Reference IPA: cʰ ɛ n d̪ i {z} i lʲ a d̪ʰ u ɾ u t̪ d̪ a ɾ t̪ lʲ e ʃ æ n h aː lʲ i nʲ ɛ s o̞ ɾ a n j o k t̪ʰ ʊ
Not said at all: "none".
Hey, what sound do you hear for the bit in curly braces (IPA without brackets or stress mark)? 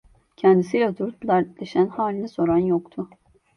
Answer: s